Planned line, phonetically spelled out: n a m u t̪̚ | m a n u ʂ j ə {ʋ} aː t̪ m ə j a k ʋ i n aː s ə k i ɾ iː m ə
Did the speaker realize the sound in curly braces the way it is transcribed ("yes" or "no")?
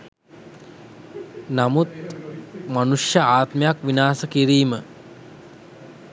no